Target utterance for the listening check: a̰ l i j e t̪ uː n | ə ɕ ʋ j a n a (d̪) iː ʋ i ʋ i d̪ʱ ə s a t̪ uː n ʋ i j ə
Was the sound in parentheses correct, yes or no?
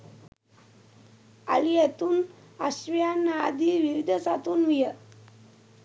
yes